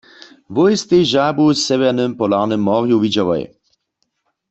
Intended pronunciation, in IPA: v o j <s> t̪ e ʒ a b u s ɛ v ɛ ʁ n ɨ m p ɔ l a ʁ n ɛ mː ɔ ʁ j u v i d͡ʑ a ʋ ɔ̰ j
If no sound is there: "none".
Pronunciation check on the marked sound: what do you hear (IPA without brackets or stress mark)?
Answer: s